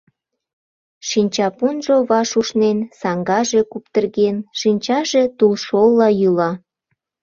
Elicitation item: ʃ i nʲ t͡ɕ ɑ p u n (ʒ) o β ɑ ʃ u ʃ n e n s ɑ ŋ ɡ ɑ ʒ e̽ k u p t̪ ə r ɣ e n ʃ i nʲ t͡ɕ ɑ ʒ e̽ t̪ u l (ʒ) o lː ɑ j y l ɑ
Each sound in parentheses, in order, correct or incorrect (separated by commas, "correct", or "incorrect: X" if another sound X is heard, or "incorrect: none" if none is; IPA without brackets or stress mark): correct, incorrect: ʃ